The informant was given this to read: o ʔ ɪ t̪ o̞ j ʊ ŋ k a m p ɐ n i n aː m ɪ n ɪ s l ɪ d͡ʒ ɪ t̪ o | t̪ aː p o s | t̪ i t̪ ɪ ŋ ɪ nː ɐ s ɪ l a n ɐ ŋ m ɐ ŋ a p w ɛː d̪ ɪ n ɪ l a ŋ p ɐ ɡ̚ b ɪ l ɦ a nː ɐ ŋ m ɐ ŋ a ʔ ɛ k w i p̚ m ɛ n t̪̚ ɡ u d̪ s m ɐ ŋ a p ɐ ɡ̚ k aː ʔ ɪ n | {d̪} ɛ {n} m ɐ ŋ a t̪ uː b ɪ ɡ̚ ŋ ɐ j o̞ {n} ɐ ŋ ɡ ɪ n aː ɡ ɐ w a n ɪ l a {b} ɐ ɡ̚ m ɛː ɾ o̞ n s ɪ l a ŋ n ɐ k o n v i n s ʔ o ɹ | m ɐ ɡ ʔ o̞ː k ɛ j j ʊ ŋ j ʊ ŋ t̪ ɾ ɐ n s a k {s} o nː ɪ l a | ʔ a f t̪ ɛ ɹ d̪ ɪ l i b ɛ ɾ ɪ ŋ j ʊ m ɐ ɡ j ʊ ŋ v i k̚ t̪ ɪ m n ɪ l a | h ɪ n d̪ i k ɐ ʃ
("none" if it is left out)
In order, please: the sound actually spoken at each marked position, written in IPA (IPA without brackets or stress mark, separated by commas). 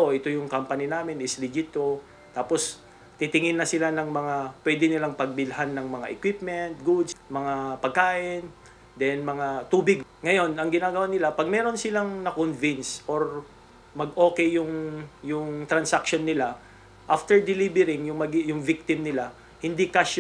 d̪, n, n, p, ʃ